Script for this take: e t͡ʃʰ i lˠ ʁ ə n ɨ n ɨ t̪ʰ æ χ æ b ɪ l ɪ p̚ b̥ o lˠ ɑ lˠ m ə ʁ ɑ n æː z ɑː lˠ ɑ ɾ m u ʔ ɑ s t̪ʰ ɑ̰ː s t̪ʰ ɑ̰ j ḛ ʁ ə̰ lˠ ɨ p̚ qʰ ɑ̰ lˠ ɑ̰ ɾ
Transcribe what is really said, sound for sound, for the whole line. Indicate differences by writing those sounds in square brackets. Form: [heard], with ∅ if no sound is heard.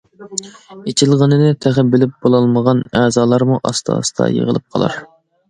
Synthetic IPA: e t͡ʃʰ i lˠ ʁ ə n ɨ n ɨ t̪ʰ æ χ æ b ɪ l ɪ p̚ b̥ o lˠ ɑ lˠ m ə ʁ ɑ n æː z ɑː lˠ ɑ ɾ m u ʔ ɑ s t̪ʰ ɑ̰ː s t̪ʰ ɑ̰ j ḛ ʁ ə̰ lˠ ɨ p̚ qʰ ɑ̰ lˠ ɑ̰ ɾ